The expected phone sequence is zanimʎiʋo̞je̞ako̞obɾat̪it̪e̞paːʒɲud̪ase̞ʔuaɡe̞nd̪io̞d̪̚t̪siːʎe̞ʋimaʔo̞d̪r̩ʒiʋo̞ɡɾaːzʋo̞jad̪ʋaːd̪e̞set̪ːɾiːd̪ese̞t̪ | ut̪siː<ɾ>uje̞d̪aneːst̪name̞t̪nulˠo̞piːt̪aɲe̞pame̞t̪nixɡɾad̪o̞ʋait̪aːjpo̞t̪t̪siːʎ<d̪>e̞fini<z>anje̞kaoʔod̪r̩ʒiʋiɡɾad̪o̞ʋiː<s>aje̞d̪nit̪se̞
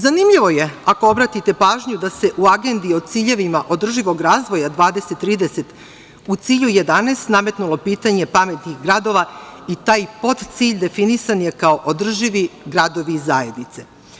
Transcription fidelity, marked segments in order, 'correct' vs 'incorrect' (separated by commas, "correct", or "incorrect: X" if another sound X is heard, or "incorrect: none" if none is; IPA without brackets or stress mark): incorrect: ʎ, correct, incorrect: s, incorrect: z